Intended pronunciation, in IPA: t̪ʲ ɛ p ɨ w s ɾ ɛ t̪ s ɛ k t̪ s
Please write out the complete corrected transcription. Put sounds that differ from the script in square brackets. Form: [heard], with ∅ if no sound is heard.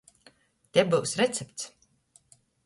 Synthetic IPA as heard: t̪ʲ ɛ [b] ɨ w s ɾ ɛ t̪ s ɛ [p] t̪ s